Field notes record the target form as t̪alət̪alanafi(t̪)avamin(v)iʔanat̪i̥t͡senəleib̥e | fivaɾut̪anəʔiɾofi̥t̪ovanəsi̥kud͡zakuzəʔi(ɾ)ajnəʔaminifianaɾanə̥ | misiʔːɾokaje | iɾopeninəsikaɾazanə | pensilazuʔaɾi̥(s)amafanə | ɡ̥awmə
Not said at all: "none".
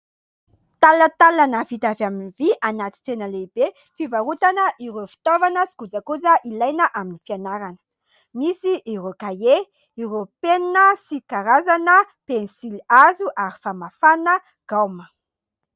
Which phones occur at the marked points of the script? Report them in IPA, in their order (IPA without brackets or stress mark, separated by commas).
t̪, v, l, f